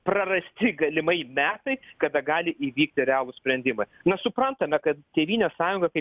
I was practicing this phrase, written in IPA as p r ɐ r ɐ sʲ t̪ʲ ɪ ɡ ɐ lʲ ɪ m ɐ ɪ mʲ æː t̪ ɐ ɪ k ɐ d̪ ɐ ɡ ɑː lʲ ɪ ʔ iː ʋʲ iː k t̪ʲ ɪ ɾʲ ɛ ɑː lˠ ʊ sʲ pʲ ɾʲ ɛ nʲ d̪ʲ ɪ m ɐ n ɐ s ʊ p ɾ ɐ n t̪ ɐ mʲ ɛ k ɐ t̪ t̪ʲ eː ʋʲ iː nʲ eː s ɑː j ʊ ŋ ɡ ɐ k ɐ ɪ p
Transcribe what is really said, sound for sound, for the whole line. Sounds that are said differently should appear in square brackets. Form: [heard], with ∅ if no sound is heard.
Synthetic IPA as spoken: p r ɐ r ɐ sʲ t̪ʲ ɪ ɡ ɐ lʲ ɪ m ɐ ɪ mʲ æː t̪ ɐ ɪ k ɐ d̪ ɐ ɡ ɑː lʲ ɪ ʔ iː ʋʲ iː k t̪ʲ ɪ ɾʲ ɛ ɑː lˠ ʊ sʲ pʲ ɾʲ ɛ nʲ d̪ʲ ɪ m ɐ n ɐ s ʊ p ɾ ɐ n t̪ ɐ mʲ ɛ k ɐ t̪ t̪ʲ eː ʋʲ iː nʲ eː s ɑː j ʊ ŋ ɡ ɐ k ɐ ɪ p

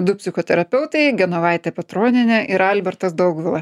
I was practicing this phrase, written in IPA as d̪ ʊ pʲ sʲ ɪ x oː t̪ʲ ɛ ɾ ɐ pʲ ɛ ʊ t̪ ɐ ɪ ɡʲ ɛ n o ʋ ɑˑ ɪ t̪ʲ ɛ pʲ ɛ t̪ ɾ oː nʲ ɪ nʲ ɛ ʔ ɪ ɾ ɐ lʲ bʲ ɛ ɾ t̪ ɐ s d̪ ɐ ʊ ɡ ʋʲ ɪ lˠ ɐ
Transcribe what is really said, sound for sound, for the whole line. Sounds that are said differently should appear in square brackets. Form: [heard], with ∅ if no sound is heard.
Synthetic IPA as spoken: d̪ ʊ pʲ sʲ ɪ x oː t̪ʲ ɛ ɾ ɐ pʲ ɛ ʊ t̪ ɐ ɪ ɡʲ ɛ n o ʋ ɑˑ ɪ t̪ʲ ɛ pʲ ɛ t̪ ɾ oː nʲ ɪ nʲ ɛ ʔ ɪ ɾ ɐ lʲ bʲ ɛ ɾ t̪ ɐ s d̪ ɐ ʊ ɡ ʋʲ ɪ lˠ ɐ

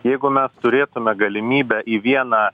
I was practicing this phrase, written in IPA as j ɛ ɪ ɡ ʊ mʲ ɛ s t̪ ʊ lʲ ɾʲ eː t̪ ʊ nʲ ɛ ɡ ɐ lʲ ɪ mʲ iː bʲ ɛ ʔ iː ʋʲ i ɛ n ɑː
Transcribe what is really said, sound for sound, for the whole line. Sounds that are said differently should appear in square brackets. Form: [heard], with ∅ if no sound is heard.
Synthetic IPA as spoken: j ɛ ɪ ɡ ʊ mʲ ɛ s t̪ ʊ [∅] ɾʲ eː t̪ ʊ [mʲ] ɛ ɡ ɐ lʲ ɪ mʲ iː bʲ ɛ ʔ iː ʋʲ i ɛ n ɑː

